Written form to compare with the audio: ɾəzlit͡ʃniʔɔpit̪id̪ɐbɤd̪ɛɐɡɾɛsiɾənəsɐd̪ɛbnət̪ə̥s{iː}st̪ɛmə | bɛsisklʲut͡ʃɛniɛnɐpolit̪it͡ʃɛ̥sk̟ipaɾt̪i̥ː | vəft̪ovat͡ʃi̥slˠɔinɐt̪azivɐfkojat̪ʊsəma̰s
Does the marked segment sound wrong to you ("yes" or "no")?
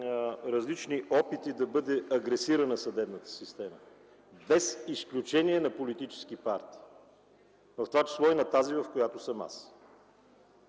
yes